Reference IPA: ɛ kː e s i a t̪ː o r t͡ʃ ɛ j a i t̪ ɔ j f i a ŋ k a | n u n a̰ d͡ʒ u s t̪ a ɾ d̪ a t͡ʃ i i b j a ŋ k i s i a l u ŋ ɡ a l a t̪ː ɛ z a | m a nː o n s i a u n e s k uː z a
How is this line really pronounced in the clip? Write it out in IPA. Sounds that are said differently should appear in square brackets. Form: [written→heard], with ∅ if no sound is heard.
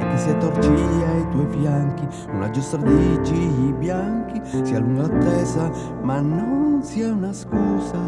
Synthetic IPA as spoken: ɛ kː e s i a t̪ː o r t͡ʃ [ɛ→i] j a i t̪ ɔ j f [i→j] a ŋ k [a→i] | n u n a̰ d͡ʒ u s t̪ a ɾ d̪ [a→i] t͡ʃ i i b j a ŋ k i s i a l u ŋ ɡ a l a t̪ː ɛ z a | m a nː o n s i a u n [e→a] s k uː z a